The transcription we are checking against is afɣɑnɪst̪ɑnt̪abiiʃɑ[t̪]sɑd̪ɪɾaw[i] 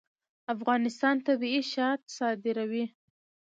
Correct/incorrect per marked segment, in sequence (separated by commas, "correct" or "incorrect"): correct, correct